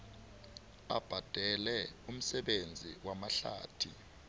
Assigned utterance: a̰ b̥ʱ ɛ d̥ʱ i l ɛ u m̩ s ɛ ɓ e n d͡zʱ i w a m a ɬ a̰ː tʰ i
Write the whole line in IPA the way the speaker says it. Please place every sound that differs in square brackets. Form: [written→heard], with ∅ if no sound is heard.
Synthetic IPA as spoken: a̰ b̥ʱ [ɛ→a] d̥ʱ [i→ɛ] l ɛ u m̩ s ɛ ɓ e n d͡zʱ i w a m a ɬ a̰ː tʰ i